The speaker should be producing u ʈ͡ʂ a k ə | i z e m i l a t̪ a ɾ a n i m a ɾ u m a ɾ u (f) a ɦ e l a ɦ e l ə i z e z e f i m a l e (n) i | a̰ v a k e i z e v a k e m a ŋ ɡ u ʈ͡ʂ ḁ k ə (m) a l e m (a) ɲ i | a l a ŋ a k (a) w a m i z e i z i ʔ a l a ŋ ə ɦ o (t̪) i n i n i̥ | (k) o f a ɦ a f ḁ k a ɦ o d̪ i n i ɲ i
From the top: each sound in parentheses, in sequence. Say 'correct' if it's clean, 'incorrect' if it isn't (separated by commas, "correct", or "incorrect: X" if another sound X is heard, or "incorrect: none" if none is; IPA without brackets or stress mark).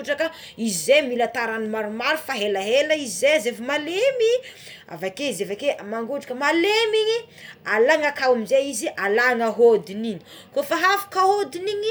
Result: correct, incorrect: m, correct, incorrect: i, correct, incorrect: d̪, correct